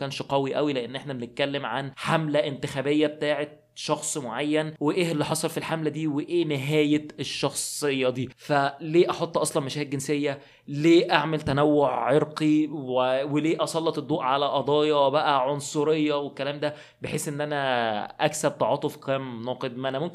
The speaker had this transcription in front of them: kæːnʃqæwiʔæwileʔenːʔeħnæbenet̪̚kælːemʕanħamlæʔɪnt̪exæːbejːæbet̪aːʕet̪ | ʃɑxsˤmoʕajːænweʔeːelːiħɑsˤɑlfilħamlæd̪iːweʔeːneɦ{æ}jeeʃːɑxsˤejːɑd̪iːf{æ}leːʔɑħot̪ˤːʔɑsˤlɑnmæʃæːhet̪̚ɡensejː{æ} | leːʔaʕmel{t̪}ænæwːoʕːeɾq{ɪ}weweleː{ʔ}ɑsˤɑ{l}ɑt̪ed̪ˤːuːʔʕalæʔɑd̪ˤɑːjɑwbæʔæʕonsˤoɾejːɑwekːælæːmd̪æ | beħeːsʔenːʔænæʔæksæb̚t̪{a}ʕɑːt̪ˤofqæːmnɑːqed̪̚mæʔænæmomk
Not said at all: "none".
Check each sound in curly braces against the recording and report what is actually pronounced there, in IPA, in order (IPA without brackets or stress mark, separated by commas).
æː, æ, æ, t̪, i, ʔ, lː, ɑ